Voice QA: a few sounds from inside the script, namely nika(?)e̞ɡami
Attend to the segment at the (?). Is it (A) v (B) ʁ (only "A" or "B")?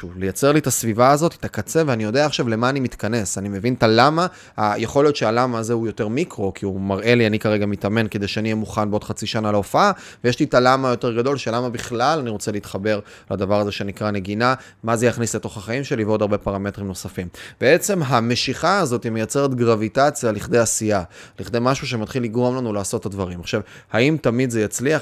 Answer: B